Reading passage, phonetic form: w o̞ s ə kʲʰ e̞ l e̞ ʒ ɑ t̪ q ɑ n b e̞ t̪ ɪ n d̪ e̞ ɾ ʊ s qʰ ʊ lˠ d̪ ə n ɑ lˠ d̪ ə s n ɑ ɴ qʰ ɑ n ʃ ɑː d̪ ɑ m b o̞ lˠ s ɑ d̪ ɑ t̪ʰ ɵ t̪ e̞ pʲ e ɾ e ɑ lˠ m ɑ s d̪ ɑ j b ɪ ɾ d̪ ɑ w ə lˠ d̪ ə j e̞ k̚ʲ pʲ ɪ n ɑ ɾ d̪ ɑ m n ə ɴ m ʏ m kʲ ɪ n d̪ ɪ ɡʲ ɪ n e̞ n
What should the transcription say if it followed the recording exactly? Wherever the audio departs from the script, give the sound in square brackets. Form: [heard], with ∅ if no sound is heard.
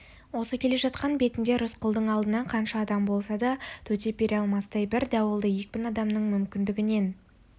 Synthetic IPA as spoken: w o̞ s ə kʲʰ e̞ l e̞ ʒ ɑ t̪ q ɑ n b e̞ t̪ ɪ n d̪ e̞ ɾ ʊ s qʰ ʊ lˠ d̪ ə [ɴ] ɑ lˠ d̪ ə [∅] n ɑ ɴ qʰ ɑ n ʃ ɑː d̪ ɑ m b o̞ lˠ s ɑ d̪ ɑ t̪ʰ ɵ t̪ e̞ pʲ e ɾ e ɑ lˠ m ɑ s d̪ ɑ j b ɪ ɾ d̪ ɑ w ə lˠ d̪ ə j e̞ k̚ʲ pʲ ɪ n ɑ [∅] d̪ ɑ m n ə ɴ m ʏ m kʲ ɪ n d̪ ɪ ɡʲ ɪ n e̞ n